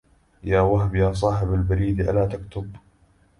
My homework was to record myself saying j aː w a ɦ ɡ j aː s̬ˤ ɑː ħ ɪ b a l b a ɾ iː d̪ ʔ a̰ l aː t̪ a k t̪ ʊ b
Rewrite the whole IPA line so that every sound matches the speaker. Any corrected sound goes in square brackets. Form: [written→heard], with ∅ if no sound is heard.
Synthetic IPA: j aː w a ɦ [ɡ→b] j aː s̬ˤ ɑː ħ ɪ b a l b a ɾ iː d̪ ʔ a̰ l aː t̪ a k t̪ ʊ b